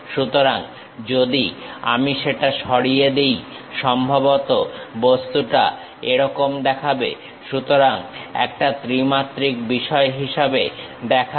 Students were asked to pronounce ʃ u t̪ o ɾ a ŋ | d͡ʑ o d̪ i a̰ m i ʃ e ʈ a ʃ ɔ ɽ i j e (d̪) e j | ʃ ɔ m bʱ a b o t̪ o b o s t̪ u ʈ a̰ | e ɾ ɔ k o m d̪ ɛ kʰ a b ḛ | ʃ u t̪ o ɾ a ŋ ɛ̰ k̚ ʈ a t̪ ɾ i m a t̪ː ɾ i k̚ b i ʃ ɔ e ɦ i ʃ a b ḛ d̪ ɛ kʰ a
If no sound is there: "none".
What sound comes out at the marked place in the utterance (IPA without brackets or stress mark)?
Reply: d̪